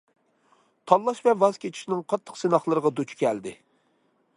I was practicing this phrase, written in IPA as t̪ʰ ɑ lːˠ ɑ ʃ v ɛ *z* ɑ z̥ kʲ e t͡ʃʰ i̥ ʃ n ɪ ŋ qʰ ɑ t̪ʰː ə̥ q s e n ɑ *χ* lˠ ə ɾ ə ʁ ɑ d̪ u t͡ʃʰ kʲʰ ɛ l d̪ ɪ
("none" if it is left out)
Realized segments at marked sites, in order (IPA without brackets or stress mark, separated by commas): v, χ